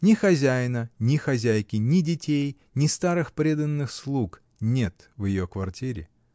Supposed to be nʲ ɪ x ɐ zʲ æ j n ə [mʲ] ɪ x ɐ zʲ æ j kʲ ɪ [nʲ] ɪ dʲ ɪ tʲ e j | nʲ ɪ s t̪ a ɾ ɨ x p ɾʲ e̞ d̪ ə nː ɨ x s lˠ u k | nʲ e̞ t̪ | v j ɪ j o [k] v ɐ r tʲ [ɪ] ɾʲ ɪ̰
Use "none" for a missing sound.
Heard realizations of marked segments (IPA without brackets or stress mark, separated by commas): nʲ, nʲ, k, i